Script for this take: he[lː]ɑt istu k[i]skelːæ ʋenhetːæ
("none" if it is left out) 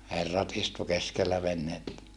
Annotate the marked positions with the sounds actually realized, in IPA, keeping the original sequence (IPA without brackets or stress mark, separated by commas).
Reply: rː, e